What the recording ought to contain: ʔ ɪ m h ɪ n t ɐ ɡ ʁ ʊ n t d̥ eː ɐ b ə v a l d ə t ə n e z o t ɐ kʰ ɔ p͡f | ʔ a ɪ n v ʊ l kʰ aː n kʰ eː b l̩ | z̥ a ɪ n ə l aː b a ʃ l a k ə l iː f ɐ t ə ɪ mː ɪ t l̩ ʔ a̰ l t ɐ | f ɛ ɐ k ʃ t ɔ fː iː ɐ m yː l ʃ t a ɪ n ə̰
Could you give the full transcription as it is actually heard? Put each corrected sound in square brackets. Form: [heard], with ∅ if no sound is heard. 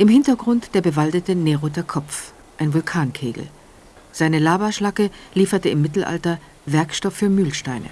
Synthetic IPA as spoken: ʔ ɪ m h ɪ n t ɐ ɡ ʁ ʊ n t d̥ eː ɐ b ə v a l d ə t ə n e [ʁ] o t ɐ kʰ ɔ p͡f | ʔ a ɪ n v ʊ l kʰ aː n kʰ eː [ɡ] l̩ | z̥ a ɪ n ə l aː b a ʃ l a k ə l iː f ɐ t ə ɪ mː ɪ t l̩ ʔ a̰ l t ɐ | [v] ɛ ɐ k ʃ t ɔ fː [yː] ɐ m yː l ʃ t a ɪ n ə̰